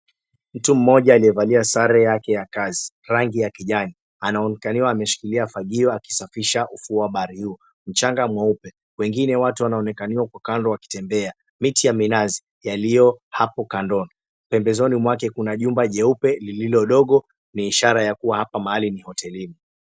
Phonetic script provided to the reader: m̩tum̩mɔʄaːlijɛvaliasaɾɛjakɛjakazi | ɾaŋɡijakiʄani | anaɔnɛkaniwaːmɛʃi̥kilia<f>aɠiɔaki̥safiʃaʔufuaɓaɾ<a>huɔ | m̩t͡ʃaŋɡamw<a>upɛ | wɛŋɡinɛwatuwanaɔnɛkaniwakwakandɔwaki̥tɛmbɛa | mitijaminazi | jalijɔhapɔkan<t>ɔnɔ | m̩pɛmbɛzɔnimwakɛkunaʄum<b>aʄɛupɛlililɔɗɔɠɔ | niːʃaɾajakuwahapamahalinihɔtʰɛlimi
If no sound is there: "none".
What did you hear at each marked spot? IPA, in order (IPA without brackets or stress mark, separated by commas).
f, i, a, d, b